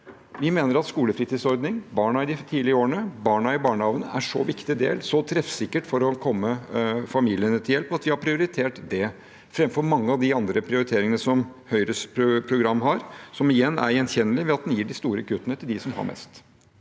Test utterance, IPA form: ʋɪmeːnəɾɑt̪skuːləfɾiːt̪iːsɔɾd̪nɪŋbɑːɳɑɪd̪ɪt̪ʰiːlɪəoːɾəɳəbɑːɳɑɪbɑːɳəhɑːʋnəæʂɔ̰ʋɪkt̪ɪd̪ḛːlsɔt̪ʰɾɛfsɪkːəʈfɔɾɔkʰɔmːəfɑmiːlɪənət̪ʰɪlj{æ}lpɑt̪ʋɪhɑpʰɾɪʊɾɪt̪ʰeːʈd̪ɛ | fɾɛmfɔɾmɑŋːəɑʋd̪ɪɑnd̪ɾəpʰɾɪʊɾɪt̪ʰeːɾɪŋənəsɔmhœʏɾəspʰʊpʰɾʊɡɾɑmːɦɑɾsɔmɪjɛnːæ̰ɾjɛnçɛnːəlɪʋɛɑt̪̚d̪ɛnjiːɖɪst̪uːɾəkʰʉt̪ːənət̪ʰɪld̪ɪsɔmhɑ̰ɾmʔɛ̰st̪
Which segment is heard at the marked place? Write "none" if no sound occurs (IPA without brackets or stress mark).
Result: ɛ